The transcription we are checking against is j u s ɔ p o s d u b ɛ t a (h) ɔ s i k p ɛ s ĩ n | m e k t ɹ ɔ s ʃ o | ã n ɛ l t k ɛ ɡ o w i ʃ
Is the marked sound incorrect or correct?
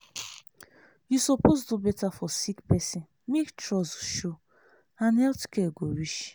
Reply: incorrect